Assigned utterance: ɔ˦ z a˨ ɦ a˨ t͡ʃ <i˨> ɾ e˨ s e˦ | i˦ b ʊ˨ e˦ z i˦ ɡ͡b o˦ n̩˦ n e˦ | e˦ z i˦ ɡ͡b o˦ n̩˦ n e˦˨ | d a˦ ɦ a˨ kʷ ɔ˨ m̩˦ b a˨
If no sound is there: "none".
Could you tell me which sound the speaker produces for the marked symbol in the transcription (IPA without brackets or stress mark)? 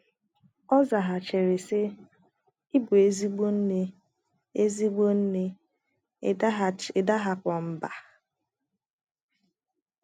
e˨